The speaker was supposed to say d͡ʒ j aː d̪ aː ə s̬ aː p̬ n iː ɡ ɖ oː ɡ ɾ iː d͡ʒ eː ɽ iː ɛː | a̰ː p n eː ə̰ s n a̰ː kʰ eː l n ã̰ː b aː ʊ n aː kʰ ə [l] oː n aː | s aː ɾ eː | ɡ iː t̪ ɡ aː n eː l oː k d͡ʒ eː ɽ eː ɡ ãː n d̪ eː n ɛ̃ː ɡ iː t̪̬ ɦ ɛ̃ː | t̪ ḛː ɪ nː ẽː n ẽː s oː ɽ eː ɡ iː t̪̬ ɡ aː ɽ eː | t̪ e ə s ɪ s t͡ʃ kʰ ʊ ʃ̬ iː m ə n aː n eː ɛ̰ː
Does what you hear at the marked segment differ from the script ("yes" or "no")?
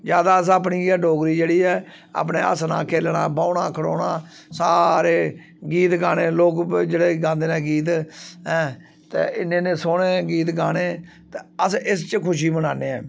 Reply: yes